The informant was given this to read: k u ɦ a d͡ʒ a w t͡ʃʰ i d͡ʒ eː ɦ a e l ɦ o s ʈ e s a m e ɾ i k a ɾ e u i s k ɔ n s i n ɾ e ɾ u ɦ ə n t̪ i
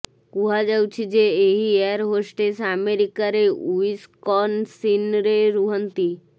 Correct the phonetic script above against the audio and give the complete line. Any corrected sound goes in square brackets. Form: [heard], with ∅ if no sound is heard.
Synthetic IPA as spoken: k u ɦ a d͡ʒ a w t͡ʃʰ i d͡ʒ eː ɦ [i] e [ɾ] ɦ o s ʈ e s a m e ɾ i k a ɾ e u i s k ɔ n s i n ɾ e ɾ u ɦ ə n t̪ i